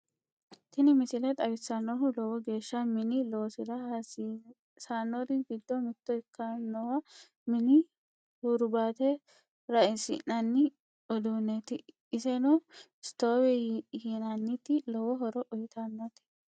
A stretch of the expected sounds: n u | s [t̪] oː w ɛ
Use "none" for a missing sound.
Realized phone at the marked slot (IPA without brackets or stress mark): t̪